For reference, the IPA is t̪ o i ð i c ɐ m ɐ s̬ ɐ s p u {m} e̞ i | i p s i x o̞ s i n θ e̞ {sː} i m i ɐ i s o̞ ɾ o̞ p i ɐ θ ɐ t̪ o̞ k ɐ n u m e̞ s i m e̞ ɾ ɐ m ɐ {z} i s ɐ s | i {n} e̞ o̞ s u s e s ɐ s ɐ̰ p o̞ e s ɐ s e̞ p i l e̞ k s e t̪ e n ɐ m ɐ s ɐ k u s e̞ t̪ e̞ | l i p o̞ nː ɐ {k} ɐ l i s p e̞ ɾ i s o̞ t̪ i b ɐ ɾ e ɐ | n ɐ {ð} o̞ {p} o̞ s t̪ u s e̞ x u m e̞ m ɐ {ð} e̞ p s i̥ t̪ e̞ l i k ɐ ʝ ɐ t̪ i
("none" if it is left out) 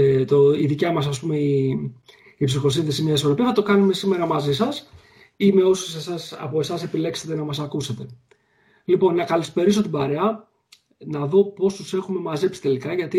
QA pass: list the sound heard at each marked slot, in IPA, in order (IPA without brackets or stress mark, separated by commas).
m, s, z, m, k, ð, p, z